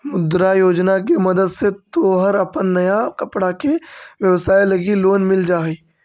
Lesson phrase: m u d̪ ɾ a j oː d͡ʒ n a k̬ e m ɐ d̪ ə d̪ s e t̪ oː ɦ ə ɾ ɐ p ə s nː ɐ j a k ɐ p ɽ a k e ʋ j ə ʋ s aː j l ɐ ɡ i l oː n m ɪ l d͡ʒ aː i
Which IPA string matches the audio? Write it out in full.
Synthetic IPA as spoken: m ʊ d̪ ɾ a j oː d͡ʒ n a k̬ e m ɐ d̪ ə d̪ s e t̪ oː ɦ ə ɾ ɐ p ə nː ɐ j a k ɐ p ɽ a k e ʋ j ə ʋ s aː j l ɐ ɡ i l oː n m ɪ l d͡ʒ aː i